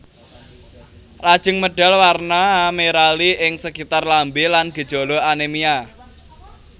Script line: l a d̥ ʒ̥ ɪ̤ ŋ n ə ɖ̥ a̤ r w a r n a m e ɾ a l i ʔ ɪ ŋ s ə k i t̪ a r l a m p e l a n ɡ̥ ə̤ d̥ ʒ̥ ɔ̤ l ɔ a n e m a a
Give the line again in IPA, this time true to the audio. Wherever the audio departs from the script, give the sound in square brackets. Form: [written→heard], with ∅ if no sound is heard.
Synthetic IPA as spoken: l a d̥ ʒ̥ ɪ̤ ŋ [n→m] ə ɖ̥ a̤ [r→l] w a r n a m e ɾ a l i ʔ ɪ ŋ s ə k i t̪ a r l a m [p→b] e l a n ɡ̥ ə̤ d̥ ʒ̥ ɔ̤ l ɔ a n e m [a→i] a